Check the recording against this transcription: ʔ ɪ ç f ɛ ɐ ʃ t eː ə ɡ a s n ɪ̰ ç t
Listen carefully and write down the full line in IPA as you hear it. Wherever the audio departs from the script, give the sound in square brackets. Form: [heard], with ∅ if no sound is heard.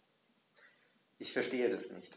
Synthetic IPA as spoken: ʔ ɪ ç f ɛ ɐ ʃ t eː ə [d] a s n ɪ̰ ç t